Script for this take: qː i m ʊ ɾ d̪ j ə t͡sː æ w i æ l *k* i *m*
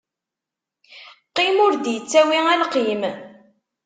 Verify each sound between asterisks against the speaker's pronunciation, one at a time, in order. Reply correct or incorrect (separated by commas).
incorrect, correct